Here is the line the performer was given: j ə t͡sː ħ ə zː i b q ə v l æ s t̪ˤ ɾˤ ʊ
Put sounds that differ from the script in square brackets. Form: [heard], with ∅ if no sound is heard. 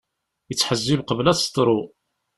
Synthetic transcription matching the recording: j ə t͡sː ħ ə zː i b q ə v l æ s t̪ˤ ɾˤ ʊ

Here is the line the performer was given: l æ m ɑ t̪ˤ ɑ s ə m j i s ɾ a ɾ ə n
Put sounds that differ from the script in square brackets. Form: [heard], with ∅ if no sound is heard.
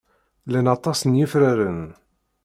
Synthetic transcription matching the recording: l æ [n] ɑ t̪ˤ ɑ s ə [n] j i [f] ɾ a ɾ ə n

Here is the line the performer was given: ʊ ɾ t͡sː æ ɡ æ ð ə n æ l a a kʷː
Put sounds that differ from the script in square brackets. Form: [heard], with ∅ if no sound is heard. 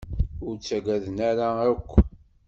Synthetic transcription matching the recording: ʊ ɾ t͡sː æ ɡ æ ð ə n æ [ɾ] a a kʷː

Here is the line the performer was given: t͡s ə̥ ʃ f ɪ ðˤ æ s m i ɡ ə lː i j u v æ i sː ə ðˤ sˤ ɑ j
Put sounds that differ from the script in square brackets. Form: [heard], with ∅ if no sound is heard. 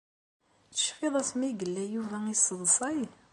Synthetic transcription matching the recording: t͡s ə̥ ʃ f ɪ ðˤ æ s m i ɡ ə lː [æ] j u v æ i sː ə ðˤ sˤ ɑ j

